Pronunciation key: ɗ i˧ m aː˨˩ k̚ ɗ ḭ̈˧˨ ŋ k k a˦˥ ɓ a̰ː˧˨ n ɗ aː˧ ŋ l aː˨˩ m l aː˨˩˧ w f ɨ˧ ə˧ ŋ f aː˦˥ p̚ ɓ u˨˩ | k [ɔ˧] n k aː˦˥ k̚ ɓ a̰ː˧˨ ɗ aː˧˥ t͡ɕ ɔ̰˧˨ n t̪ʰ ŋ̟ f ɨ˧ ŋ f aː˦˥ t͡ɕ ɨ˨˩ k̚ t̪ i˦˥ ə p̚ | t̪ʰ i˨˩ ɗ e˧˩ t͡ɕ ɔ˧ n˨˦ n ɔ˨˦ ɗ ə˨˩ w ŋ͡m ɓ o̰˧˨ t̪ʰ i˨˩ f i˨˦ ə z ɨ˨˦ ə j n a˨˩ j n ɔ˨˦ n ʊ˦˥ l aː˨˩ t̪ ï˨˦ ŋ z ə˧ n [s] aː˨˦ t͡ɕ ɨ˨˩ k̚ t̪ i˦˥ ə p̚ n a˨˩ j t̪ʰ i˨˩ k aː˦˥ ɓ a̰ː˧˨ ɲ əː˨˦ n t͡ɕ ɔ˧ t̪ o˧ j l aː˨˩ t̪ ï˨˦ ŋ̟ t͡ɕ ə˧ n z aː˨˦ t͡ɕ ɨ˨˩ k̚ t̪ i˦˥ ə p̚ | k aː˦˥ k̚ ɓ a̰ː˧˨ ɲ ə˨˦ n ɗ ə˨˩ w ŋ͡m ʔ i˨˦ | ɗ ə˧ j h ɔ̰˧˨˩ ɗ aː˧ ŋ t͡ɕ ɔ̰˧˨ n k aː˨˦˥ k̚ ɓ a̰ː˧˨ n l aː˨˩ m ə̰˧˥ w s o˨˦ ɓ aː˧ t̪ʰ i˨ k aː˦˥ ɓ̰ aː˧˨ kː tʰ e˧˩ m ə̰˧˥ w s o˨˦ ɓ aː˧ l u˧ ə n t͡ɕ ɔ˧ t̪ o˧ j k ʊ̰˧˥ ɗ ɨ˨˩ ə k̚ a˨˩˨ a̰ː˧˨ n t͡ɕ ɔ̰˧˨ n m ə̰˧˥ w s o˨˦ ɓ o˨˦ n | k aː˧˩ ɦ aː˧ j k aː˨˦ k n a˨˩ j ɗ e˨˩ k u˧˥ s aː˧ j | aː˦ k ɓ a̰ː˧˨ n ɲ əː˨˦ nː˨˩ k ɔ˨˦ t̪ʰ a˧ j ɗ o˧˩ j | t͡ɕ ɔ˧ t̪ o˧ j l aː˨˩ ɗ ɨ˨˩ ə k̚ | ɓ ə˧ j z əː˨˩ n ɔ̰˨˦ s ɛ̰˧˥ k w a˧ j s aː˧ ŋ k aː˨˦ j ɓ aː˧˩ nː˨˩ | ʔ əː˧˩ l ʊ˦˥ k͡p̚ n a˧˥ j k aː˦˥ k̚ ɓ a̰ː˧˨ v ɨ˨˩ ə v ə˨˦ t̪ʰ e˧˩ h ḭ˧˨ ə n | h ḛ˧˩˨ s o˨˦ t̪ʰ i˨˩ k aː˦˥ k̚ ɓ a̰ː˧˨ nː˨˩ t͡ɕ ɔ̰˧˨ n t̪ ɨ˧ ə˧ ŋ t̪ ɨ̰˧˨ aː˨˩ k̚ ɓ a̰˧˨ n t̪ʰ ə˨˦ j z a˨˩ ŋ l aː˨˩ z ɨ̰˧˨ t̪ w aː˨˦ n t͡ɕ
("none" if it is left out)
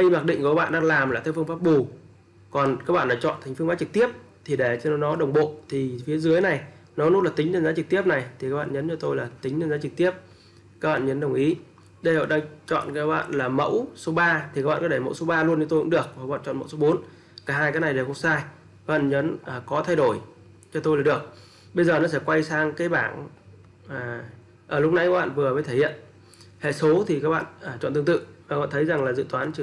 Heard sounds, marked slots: ɔ˨˩, z

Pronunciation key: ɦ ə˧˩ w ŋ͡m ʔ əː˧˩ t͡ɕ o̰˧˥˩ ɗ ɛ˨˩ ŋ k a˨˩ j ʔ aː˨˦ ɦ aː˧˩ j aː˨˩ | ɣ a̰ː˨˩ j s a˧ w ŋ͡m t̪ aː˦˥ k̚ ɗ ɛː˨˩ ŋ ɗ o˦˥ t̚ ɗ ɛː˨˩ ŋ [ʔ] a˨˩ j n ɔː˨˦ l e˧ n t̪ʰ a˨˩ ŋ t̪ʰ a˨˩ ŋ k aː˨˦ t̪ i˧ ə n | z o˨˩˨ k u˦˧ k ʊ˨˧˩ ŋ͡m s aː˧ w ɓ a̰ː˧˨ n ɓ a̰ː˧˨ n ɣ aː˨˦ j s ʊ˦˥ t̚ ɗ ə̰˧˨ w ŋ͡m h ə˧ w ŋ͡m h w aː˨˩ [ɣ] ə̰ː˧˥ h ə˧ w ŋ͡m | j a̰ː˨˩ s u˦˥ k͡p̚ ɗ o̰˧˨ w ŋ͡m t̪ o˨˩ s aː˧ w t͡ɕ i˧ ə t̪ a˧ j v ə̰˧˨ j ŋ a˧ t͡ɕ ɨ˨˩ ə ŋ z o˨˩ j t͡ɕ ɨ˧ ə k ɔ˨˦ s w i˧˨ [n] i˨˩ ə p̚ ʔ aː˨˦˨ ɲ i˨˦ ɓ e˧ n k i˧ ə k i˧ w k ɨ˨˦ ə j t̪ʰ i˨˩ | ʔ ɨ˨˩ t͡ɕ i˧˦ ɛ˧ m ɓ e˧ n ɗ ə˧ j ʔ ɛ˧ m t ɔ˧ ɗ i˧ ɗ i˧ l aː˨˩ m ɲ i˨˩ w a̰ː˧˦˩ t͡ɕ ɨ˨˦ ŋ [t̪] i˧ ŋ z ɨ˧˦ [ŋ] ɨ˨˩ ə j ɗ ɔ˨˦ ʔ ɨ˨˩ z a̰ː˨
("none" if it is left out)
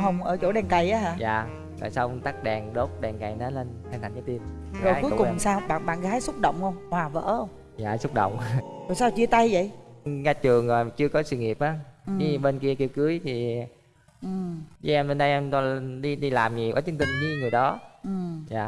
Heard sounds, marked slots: k, v, ŋ, t̪, ŋ

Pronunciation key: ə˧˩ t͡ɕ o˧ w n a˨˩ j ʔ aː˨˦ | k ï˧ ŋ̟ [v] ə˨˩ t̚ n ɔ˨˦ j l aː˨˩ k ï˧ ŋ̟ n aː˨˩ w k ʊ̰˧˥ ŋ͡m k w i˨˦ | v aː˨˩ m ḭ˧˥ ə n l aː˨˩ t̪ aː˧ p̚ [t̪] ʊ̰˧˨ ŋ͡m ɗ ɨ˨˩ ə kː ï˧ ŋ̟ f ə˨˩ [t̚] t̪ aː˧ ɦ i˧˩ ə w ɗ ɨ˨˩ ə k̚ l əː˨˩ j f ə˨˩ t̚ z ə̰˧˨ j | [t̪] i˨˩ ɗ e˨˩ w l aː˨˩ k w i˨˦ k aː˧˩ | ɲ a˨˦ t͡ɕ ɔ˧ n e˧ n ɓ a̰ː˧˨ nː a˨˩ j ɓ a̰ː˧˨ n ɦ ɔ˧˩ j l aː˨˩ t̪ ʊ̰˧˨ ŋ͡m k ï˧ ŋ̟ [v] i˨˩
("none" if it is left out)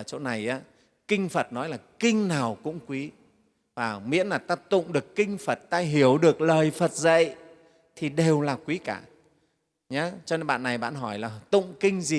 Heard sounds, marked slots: f, t̪, t̚, t̪ʰ, z

